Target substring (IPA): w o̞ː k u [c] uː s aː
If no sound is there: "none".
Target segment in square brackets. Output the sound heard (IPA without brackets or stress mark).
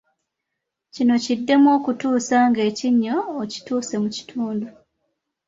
t